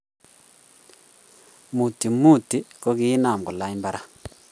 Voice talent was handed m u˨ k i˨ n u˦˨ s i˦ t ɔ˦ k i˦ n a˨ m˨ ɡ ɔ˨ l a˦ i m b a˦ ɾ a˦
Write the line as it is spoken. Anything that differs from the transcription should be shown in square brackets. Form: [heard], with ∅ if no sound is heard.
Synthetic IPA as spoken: m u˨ [t] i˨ [m] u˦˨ [t] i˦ [k] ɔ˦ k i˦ n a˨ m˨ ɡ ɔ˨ l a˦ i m b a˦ ɾ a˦